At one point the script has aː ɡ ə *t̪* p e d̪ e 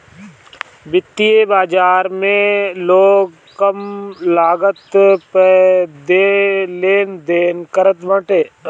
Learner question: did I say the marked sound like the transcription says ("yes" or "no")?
yes